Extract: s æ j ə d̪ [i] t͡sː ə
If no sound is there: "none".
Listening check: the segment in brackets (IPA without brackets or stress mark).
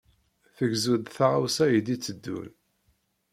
i